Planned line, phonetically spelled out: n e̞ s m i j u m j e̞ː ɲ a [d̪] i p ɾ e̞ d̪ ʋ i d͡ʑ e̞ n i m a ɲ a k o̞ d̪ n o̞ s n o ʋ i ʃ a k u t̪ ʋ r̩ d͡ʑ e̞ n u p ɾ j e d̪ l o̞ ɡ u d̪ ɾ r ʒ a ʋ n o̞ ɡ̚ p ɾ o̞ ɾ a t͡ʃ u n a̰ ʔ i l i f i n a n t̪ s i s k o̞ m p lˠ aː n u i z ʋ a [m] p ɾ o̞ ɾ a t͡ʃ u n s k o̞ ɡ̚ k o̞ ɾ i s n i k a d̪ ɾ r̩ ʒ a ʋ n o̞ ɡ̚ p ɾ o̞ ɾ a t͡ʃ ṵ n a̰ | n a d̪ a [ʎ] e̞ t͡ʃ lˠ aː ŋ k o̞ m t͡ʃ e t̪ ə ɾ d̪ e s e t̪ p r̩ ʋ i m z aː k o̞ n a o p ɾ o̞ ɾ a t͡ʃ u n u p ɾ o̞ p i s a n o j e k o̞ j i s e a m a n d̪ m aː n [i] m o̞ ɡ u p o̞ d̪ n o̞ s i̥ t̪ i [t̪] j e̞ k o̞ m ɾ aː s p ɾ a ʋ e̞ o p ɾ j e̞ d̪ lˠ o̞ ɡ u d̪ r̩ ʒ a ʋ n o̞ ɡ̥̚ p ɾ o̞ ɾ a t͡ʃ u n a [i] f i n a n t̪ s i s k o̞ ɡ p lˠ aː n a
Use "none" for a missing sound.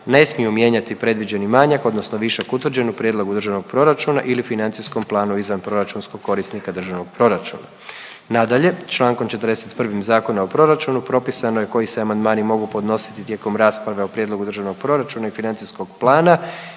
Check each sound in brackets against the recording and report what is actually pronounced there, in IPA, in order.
t̪, n, ʎ, i, t̪, i

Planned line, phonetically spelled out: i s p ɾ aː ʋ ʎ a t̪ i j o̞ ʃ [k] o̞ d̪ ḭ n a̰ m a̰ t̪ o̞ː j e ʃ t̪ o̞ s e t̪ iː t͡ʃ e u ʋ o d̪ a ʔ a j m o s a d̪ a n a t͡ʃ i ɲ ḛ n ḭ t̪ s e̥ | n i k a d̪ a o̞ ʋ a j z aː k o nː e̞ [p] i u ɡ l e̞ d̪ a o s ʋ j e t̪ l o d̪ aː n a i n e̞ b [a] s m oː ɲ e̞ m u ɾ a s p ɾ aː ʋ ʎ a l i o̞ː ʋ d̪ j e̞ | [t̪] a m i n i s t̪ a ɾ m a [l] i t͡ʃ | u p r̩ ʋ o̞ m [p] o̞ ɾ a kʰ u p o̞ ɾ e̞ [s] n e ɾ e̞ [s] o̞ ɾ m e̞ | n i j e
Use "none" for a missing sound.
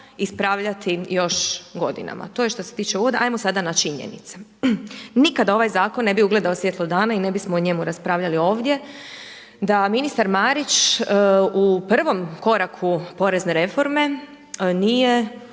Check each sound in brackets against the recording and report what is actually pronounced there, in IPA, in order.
ɡ, b, i, d̪, ɾ, k, z, f

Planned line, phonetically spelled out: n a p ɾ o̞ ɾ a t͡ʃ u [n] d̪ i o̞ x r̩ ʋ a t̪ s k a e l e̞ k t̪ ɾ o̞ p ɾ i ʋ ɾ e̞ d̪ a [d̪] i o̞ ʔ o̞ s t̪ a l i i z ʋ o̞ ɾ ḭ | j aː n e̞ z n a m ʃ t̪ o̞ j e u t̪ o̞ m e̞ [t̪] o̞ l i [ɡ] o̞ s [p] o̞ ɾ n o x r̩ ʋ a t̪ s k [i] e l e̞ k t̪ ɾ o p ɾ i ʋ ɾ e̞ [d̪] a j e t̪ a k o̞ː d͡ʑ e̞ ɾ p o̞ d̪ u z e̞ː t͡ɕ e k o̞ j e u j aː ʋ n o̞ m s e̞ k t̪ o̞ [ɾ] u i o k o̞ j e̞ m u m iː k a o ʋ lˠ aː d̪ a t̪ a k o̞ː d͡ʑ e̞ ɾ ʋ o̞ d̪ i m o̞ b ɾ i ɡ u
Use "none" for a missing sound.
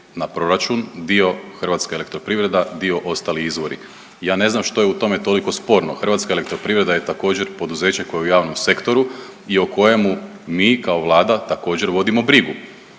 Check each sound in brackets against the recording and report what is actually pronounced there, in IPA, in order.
n, d̪, t̪, k, p, a, d̪, ɾ

